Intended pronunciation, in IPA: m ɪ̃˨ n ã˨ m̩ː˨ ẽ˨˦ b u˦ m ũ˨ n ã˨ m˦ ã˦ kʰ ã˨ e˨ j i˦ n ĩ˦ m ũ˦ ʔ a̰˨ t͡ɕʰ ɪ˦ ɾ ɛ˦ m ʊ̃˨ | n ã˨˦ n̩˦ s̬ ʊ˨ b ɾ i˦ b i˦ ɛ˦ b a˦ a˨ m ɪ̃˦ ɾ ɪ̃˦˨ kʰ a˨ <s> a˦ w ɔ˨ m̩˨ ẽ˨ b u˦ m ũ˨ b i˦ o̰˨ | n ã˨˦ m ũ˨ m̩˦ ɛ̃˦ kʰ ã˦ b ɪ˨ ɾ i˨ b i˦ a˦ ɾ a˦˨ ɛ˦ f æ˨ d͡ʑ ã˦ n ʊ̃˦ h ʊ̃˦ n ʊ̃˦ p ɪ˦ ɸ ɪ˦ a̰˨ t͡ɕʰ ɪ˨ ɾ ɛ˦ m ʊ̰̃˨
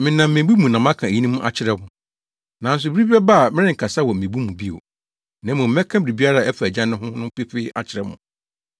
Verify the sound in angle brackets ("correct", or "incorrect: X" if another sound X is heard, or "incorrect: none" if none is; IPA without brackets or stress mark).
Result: correct